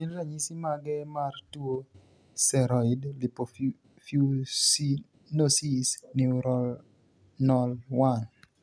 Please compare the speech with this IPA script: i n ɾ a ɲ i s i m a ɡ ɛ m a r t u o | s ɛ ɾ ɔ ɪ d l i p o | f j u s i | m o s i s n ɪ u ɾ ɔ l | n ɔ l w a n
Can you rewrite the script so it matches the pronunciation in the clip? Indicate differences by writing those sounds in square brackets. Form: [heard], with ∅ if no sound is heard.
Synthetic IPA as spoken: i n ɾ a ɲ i s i m a ɡ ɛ m a r t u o | s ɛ ɾ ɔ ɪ d l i p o | f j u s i | [n] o s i s n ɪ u ɾ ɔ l | n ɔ l w a n